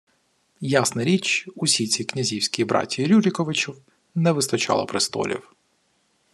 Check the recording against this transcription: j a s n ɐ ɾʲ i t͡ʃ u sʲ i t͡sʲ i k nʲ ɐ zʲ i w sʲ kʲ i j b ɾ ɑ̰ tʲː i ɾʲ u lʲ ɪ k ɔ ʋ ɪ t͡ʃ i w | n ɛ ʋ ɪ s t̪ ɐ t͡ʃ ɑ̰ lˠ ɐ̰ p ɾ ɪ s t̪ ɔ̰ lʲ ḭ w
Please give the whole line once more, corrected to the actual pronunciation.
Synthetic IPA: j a s n ɐ ɾʲ i t͡ʃ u sʲ i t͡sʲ i k nʲ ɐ zʲ i w sʲ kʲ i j b ɾ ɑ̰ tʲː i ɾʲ u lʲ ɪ k ɔ ʋ ɪ t͡ʃ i w | n ɛ ʋ ɪ s t̪ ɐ t͡ʃ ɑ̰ lˠ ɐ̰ p ɾ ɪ s t̪ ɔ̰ lʲ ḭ w